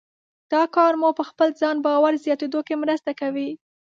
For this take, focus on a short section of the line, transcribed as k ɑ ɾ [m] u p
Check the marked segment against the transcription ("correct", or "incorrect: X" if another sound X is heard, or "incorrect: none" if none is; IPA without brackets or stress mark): correct